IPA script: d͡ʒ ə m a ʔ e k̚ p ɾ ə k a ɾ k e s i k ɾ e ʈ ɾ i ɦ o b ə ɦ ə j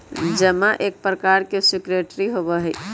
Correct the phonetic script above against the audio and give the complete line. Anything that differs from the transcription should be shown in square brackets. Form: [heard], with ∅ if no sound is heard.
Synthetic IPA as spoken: d͡ʒ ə m a ʔ e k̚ p ɾ ə k a ɾ k e s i k ɾ e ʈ ɾ i ɦ o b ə ɦ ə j